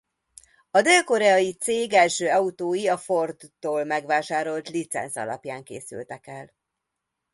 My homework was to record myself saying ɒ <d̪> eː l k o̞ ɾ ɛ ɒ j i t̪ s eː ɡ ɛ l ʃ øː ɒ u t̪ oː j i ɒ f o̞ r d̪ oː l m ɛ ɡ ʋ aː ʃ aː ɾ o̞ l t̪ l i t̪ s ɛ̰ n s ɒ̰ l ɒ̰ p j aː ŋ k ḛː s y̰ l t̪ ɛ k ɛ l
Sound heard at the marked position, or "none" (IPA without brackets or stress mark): d̪